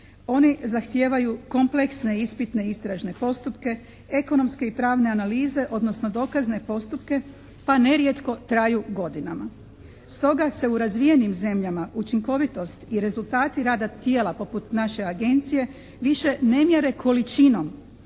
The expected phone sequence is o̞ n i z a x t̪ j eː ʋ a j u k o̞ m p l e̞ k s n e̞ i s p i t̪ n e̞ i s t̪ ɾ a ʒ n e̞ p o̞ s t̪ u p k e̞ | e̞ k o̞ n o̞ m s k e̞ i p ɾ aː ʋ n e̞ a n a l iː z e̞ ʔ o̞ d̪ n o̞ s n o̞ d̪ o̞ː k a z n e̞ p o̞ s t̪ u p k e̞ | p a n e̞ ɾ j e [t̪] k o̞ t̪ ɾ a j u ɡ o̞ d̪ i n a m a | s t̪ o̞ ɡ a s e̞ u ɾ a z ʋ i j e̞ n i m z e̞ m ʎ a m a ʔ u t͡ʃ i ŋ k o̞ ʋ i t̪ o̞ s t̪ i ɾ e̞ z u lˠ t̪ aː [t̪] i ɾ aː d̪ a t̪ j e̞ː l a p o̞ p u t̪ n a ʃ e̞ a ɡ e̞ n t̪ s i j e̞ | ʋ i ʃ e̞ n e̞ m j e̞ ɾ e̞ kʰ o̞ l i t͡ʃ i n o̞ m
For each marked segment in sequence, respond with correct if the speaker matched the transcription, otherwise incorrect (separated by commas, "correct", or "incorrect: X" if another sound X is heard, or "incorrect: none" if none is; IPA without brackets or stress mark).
correct, correct